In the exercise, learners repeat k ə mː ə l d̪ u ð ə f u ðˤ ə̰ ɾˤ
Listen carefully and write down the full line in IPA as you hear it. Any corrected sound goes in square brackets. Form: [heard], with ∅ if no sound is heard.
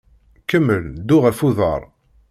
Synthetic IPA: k ə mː ə l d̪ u [ʁ] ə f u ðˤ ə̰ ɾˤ

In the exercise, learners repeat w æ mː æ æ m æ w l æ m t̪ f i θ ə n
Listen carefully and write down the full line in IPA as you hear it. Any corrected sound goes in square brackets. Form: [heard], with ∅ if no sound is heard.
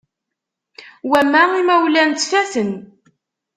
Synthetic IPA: w æ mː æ [i] m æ w l æ [n] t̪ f [æ] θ ə n

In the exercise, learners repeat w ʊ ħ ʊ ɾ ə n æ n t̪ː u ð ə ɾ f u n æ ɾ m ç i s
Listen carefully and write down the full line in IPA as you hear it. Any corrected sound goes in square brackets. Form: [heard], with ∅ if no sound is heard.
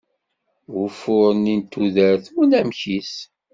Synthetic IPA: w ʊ [f] ʊ ɾ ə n [i] n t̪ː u ð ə ɾ [θ] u n æ [∅] m ç i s

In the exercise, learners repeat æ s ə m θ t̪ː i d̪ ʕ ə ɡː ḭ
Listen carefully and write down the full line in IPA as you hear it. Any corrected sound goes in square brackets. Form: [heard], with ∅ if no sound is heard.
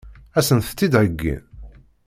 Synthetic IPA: æ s ə [n] θ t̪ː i d̪ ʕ ə ɡː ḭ

